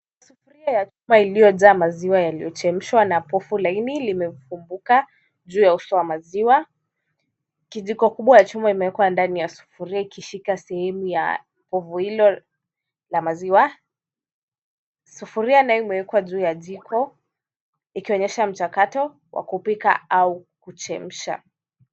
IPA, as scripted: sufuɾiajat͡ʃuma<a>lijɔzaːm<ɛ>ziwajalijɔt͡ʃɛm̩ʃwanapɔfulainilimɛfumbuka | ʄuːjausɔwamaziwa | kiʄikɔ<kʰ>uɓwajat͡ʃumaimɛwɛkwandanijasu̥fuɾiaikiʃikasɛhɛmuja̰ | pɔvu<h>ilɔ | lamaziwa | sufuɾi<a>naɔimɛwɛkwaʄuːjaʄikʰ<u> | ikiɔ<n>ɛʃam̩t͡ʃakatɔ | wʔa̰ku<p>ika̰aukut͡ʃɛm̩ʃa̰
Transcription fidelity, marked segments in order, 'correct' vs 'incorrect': incorrect: i, incorrect: a, incorrect: k, correct, correct, incorrect: ɔ, incorrect: ɲ, correct

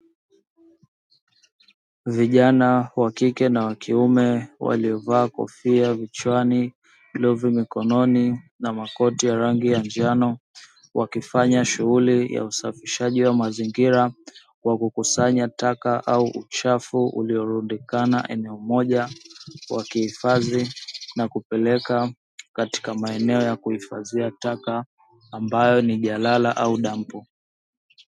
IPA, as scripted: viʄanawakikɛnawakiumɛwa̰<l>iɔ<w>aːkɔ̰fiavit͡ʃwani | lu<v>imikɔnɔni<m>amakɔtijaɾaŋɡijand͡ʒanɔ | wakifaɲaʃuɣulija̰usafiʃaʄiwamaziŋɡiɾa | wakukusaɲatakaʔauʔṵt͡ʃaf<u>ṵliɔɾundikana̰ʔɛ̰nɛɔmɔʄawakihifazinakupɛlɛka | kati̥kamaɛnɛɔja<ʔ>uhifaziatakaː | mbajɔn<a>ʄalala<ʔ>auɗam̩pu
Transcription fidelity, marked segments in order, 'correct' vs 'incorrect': correct, incorrect: v, correct, incorrect: n, correct, incorrect: k, incorrect: i, correct

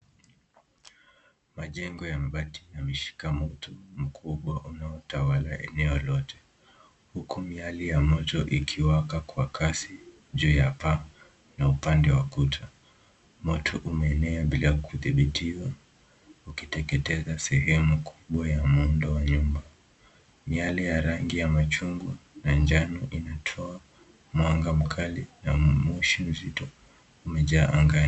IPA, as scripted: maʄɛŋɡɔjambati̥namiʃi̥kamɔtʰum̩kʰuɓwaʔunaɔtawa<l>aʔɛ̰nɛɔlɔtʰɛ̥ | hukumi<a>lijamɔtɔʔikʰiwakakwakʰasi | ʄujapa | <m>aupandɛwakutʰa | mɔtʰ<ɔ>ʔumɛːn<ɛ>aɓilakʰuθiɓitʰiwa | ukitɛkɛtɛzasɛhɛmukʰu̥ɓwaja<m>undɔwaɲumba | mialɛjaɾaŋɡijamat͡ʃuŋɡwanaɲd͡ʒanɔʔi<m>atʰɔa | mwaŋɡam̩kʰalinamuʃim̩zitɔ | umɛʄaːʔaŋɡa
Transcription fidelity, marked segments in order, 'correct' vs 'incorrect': correct, correct, incorrect: n, correct, correct, correct, incorrect: n

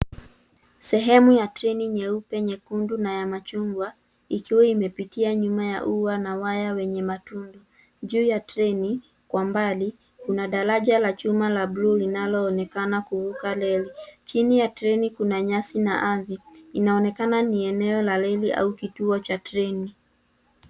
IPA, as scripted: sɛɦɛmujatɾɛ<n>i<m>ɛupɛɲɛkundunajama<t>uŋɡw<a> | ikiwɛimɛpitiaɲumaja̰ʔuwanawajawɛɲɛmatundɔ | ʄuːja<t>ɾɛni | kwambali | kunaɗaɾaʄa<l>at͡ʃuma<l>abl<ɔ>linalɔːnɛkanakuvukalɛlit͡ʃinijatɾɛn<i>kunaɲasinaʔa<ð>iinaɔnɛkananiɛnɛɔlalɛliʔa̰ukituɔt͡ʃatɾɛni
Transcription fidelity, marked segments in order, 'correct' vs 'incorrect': correct, incorrect: ɲ, incorrect: t͡ʃ, correct, correct, correct, correct, incorrect: u, correct, correct

